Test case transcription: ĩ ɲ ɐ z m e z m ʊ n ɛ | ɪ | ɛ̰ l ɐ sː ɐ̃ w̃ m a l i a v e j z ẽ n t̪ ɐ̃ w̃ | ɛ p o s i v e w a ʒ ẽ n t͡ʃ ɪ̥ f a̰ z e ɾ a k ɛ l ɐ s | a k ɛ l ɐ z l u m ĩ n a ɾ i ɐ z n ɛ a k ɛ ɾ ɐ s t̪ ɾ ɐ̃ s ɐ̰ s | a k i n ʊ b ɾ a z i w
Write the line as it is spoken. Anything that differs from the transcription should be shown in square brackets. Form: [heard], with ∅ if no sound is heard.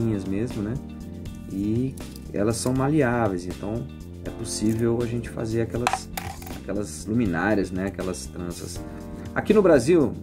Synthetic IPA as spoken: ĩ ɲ ɐ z m e z m ʊ n ɛ | ɪ | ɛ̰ l ɐ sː ɐ̃ w̃ m a l i a v e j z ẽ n t̪ ɐ̃ w̃ | ɛ p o s i v e w a ʒ ẽ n t͡ʃ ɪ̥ f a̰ z e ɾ a k ɛ l ɐ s | a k ɛ l ɐ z l u m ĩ n a ɾ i ɐ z n ɛ a k ɛ [l] ɐ s t̪ ɾ ɐ̃ s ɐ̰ s | a k i n ʊ b ɾ a z i w